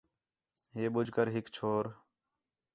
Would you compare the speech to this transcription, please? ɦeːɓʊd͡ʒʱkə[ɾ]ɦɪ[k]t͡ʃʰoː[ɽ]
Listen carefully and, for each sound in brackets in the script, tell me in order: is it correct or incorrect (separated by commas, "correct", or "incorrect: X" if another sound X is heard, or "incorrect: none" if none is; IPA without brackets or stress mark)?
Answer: correct, correct, incorrect: ɾ